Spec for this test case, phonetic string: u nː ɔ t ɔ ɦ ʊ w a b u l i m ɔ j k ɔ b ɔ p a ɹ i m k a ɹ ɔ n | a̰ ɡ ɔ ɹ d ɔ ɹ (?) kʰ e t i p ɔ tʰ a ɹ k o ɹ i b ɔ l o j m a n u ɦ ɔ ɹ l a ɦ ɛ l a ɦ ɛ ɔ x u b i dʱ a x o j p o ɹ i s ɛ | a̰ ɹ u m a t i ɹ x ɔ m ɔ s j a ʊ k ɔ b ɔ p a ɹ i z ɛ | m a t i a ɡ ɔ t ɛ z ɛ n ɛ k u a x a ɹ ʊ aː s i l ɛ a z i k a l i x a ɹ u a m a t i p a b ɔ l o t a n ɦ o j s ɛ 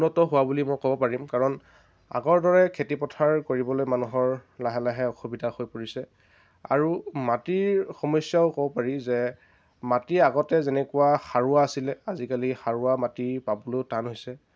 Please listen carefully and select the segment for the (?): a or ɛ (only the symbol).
ɛ